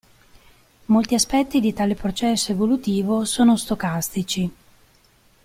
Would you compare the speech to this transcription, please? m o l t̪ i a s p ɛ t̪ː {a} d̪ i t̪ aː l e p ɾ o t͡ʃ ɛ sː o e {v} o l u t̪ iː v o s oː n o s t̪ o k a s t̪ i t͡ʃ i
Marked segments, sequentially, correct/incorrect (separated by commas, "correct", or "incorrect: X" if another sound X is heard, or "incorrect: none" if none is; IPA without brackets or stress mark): incorrect: i, correct